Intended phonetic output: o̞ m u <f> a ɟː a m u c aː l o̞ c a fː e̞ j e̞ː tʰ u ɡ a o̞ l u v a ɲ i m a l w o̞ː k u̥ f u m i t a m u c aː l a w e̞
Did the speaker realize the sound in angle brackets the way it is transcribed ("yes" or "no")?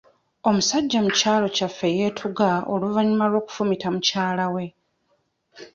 no